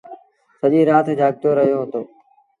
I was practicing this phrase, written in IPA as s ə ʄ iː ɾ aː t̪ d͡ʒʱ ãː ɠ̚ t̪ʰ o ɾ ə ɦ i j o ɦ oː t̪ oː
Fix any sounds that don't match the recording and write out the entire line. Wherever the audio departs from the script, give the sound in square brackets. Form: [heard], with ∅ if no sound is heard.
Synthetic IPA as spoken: s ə ʄ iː ɾ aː t̪ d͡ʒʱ [aː] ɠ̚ [t̪] o ɾ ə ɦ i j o ɦ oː t̪ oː